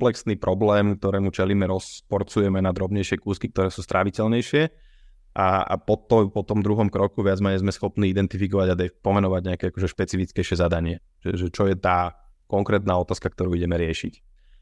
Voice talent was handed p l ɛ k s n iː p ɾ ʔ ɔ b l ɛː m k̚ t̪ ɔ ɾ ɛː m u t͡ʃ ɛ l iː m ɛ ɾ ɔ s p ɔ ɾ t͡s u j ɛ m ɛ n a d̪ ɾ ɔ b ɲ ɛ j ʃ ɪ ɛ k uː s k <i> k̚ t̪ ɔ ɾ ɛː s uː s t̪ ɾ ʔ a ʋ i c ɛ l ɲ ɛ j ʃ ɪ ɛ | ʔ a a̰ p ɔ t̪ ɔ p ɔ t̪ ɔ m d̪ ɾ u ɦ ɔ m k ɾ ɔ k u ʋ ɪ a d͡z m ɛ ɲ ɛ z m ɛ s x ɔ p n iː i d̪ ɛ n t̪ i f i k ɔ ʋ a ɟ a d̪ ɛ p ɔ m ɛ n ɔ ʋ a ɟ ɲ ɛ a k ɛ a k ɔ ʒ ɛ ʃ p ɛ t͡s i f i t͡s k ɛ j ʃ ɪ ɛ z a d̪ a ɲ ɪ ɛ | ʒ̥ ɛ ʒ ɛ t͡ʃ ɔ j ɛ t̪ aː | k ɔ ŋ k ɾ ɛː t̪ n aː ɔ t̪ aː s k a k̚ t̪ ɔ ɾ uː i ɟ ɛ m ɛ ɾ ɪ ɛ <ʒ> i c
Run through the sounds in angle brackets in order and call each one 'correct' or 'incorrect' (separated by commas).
correct, incorrect